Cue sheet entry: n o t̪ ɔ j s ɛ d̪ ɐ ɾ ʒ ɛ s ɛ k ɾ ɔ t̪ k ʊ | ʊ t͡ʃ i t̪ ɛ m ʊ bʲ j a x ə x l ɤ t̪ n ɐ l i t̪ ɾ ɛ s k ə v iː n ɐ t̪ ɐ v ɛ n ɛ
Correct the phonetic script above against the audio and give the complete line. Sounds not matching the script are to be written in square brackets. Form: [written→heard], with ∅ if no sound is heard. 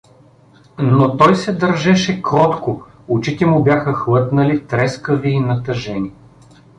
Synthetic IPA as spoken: n o t̪ ɔ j s ɛ d̪ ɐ ɾ ʒ ɛ [s→ʃ] ɛ k ɾ ɔ t̪ k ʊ | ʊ t͡ʃ i t̪ ɛ m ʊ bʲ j a x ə x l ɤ t̪ n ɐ l i t̪ ɾ ɛ s k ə v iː n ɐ t̪ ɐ [v→ʒ] ɛ n [ɛ→i]